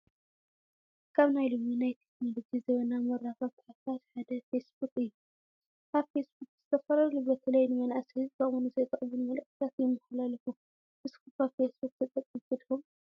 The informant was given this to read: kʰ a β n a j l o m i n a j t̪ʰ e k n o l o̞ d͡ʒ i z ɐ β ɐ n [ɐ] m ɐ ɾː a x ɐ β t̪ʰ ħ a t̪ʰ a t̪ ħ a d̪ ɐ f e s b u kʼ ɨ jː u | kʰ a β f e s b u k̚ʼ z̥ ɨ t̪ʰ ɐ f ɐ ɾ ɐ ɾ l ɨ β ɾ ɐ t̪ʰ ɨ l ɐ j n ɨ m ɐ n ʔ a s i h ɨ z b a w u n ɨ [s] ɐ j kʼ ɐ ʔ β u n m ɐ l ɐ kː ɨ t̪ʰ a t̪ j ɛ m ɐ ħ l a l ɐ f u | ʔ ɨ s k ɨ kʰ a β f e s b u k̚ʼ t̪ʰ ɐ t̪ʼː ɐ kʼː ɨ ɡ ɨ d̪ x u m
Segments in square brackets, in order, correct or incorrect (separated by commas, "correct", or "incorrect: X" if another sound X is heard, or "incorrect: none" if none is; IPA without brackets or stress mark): incorrect: a, incorrect: z